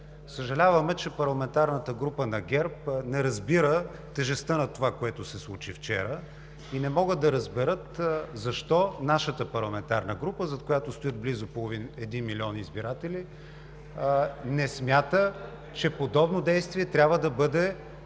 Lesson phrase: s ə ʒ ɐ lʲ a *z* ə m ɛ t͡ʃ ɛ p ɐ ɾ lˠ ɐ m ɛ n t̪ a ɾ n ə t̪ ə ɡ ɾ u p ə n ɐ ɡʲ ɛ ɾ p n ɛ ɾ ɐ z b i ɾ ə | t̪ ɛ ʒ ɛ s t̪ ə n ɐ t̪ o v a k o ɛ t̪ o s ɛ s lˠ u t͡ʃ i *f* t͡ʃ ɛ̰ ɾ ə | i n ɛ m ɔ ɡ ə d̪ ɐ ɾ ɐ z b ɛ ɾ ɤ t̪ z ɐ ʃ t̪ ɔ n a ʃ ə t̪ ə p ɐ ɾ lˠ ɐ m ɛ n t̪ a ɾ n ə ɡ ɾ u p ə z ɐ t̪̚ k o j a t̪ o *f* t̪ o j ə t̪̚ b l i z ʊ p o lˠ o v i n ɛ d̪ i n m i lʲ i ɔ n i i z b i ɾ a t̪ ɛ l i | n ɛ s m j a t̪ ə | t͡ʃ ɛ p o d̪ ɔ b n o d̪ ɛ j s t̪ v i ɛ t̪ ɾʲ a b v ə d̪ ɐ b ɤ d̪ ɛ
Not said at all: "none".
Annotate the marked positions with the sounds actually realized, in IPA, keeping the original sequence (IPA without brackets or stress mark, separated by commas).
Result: v, f, s